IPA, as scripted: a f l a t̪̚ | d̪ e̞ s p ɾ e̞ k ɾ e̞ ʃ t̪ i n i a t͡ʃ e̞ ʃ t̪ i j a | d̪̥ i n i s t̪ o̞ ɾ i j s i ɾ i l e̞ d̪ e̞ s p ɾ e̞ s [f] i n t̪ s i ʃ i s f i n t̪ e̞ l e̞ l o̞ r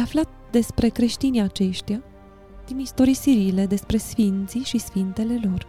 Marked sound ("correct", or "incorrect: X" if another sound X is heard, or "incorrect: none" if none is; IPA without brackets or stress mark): correct